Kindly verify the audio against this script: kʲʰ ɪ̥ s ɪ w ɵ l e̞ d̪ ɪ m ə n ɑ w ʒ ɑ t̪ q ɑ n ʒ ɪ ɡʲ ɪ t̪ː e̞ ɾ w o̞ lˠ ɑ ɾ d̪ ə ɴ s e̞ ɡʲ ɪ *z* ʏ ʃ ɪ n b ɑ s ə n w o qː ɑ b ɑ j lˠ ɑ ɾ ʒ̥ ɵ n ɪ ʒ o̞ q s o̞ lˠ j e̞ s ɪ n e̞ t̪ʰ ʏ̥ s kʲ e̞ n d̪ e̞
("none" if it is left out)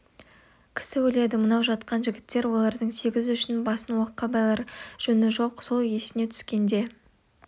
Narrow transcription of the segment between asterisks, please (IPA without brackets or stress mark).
z